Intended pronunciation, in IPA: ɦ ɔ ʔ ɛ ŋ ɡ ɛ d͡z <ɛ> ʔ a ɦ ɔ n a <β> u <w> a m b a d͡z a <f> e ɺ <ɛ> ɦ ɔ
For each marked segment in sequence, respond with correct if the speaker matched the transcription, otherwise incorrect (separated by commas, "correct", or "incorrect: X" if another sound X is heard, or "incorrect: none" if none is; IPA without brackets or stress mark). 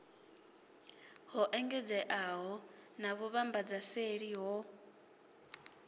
correct, correct, incorrect: β, incorrect: s, incorrect: i